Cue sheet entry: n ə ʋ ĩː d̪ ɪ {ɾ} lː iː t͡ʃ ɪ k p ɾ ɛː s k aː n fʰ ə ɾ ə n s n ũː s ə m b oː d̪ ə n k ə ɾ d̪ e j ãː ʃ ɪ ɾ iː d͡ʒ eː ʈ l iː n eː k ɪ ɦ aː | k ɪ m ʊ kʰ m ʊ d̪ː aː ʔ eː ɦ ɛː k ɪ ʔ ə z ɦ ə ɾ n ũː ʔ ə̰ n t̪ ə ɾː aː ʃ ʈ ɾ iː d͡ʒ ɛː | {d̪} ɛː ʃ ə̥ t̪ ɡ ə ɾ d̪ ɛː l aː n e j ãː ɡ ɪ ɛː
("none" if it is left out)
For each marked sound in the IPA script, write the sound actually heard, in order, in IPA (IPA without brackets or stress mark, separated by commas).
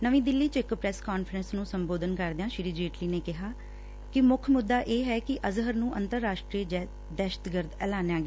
none, d̪